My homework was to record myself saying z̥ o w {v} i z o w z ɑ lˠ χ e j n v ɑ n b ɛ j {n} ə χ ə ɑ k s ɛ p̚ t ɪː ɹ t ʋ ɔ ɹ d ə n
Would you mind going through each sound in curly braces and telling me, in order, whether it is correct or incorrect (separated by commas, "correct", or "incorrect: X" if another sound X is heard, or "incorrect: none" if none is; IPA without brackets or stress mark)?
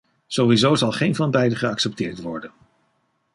incorrect: ʋ, incorrect: d